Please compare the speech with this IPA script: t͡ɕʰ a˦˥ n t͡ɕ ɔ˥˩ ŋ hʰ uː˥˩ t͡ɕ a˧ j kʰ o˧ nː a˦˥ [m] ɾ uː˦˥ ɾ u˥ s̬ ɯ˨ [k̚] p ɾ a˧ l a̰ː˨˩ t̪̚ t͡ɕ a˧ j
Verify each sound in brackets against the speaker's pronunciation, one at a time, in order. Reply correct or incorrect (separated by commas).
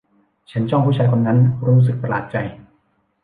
incorrect, correct